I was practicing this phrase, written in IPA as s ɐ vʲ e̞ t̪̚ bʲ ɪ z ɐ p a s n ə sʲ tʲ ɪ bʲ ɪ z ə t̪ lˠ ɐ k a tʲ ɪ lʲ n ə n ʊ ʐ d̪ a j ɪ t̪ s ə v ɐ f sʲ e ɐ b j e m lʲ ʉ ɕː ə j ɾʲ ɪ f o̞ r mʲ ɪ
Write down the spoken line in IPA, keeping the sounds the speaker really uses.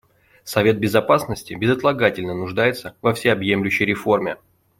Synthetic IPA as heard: s ɐ vʲ e̞ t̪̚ bʲ ɪ z ɐ p a s n ə sʲ tʲ ɪ bʲ ɪ z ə t̪ lˠ ɐ ɡ a tʲ ɪ lʲ n ə n ʊ ʐ d̪ a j ɪ t̪ s ə v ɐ f sʲ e ɐ b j e m lʲ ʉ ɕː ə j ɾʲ ɪ f o̞ r mʲ ɪ